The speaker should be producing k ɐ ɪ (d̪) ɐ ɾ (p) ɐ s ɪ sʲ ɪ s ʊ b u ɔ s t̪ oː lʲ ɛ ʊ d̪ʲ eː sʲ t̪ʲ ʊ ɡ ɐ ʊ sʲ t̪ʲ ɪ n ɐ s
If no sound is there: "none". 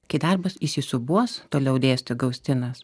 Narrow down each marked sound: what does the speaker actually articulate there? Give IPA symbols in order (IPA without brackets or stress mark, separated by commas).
d̪, b